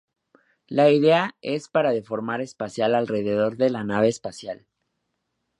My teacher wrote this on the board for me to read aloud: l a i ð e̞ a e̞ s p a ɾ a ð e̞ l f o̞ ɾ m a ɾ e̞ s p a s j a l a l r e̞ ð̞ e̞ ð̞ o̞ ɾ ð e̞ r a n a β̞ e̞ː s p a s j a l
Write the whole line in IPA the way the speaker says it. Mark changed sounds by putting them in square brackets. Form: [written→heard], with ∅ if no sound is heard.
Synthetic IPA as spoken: l a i ð e̞ a e̞ s p a ɾ a ð e̞ [l→∅] f o̞ ɾ m a ɾ e̞ s p a s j a l a l r e̞ ð̞ e̞ ð̞ o̞ ɾ ð e̞ [r→l] a n a β̞ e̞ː s p a s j a l